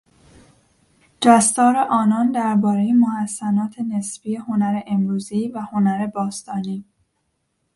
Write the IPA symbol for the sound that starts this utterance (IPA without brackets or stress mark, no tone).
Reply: d͡ʒ